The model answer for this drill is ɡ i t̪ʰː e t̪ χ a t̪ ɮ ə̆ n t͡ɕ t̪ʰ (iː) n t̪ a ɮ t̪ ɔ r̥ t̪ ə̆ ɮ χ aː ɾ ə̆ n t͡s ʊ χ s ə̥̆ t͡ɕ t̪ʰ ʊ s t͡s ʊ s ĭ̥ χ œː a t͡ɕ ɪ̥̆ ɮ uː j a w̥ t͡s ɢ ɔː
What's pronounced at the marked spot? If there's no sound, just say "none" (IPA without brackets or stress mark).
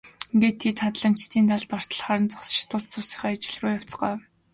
iː